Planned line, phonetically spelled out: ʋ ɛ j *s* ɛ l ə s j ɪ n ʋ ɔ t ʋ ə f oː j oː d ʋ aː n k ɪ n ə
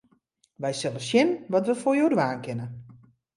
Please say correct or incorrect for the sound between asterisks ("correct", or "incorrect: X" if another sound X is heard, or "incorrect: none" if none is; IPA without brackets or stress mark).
correct